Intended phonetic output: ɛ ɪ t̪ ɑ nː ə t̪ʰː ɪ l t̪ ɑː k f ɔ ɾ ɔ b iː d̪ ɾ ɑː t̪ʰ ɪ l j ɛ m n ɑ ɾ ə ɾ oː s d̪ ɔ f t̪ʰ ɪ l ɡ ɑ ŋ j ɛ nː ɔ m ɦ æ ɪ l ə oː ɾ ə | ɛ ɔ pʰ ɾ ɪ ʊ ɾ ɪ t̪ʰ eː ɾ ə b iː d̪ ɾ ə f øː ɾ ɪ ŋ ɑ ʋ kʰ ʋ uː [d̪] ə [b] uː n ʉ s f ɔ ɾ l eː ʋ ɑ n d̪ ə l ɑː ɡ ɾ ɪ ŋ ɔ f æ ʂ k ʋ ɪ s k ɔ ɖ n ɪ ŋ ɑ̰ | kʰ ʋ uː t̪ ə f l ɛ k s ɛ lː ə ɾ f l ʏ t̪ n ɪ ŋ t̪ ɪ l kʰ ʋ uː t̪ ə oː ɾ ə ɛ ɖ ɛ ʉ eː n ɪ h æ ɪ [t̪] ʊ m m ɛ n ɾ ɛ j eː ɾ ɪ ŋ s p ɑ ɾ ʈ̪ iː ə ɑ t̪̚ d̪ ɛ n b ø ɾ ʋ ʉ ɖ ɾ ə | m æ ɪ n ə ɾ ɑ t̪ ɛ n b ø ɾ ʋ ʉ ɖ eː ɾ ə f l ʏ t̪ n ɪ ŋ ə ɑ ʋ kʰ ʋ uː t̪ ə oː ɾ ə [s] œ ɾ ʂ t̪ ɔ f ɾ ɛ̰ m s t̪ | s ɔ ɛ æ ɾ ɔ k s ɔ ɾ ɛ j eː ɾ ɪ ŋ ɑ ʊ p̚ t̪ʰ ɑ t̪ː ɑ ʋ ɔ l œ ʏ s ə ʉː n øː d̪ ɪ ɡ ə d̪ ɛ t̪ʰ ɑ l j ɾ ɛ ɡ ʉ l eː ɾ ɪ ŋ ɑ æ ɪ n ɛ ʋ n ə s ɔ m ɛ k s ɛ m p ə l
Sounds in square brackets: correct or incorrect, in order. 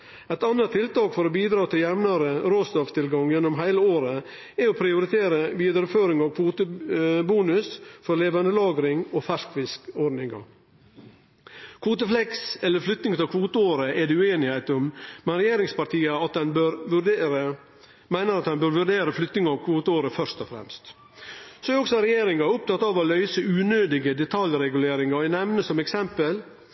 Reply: incorrect: t̪, correct, correct, incorrect: f

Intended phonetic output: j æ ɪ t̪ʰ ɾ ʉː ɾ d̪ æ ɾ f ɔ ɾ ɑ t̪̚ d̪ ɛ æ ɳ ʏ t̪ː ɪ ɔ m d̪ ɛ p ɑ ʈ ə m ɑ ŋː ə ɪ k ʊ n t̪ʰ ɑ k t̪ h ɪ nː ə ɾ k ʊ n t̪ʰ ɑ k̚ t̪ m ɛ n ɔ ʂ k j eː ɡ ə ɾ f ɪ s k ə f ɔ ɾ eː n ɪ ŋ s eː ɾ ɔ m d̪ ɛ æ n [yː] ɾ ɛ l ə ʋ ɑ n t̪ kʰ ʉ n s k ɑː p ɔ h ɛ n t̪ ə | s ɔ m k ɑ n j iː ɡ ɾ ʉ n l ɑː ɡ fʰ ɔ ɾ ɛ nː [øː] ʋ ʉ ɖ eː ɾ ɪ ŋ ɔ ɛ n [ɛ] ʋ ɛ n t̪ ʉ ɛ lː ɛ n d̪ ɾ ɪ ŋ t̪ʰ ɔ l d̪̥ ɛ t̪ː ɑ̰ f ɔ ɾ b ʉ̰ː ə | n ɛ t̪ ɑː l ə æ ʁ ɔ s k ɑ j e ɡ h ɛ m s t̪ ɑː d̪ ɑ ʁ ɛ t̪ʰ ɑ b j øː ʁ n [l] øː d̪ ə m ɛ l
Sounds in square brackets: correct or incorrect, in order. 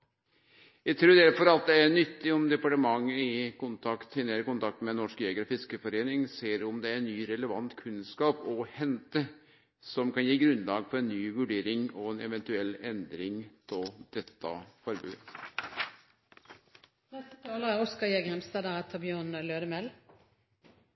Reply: correct, incorrect: yː, correct, correct

